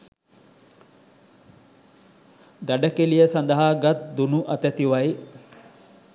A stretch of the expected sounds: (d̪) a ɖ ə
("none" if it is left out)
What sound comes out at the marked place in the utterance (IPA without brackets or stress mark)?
d̪